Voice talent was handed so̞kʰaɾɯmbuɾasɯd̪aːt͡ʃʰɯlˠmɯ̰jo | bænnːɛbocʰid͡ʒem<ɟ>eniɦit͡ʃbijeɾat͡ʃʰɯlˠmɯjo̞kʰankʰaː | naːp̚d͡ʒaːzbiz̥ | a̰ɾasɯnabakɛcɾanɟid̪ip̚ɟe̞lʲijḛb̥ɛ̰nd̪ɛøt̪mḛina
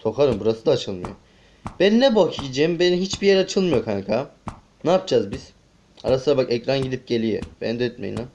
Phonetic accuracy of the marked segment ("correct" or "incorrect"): incorrect